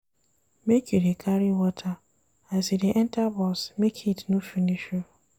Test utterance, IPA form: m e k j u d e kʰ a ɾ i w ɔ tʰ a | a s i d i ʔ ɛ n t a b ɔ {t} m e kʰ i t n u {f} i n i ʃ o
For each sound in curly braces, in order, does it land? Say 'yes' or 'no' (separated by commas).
no, yes